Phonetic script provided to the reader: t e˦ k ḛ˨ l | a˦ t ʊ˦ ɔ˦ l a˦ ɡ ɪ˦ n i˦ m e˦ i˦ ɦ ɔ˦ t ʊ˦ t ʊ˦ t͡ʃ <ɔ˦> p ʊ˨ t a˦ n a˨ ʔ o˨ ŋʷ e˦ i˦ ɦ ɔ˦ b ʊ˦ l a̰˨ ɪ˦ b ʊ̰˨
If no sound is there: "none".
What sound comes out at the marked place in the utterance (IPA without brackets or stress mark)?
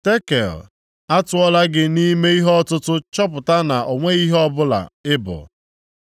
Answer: ɔ˦